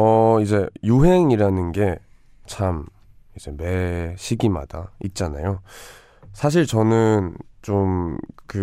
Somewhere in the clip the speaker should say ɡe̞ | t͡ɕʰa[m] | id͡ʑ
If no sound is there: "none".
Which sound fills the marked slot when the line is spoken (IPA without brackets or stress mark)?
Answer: m